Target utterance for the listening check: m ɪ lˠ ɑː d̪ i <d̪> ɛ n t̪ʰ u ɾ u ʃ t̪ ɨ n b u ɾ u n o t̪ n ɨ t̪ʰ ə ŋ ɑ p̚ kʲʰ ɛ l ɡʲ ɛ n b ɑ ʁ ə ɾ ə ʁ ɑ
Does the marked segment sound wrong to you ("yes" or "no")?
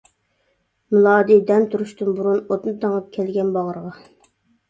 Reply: no